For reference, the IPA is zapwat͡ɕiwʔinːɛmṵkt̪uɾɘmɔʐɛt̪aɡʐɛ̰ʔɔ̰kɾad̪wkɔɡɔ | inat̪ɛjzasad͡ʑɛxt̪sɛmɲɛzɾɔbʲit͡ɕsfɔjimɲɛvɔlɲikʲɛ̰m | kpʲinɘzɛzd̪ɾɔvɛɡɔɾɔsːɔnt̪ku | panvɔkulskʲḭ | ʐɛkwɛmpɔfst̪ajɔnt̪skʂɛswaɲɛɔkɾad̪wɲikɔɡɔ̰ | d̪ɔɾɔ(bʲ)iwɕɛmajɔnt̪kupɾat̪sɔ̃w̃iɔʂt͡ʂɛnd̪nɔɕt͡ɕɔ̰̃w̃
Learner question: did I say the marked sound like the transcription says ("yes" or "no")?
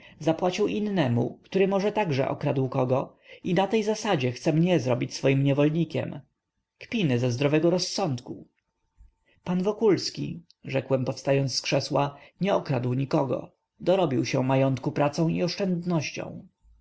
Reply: yes